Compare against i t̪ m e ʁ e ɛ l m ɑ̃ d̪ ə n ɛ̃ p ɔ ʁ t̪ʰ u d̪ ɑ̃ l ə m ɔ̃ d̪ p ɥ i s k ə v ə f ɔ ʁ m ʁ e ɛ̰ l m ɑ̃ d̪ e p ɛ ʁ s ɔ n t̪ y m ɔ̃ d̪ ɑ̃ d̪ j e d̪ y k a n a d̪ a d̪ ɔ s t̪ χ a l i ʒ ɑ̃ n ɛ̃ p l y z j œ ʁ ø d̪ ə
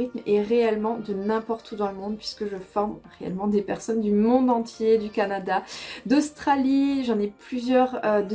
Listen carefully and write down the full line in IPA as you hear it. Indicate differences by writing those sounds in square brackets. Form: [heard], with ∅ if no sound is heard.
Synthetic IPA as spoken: i t̪ m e ʁ e ɛ l m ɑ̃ d̪ ə n ɛ̃ p ɔ ʁ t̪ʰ u d̪ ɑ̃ l ə m ɔ̃ d̪ p ɥ i s k ə [ʒ] ə f ɔ ʁ m ʁ e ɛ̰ l m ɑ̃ d̪ e p ɛ ʁ s ɔ n [d̪] y m ɔ̃ d̪ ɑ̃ [t̪] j e d̪ y k a n a d̪ a d̪ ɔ s t̪ χ a l i ʒ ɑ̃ n [ɛ] p l y z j œ ʁ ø d̪ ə